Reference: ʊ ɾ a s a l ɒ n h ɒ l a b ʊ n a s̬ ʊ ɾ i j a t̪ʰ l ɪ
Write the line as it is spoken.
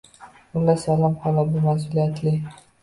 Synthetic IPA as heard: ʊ l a s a l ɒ m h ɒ l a b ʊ m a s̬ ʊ l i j a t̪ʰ l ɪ